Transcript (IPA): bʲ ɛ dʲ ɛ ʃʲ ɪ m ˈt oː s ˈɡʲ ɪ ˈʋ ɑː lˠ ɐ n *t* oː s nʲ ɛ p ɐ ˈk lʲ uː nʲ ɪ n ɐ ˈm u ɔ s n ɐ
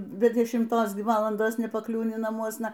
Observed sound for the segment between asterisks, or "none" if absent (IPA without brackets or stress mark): d